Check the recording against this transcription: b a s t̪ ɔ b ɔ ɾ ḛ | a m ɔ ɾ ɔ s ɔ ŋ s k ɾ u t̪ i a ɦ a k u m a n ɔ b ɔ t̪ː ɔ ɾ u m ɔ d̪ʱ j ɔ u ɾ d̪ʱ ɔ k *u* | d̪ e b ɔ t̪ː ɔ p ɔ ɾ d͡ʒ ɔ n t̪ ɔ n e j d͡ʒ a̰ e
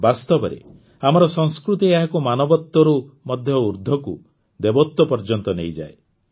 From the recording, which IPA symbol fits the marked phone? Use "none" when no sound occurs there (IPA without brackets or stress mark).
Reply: u